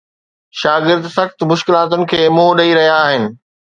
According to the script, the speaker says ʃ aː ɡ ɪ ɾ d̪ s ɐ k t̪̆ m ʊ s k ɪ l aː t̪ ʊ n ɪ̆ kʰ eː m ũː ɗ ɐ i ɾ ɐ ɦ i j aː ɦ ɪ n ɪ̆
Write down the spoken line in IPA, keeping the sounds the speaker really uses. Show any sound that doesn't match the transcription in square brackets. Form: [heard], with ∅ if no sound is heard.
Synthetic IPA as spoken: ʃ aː ɡ ɪ ɾ d̪ s ɐ [x] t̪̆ m ʊ [ʃ] k ɪ l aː t̪ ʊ n ɪ̆ kʰ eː m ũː ɗ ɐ i ɾ ɐ ɦ i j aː ɦ ɪ n ɪ̆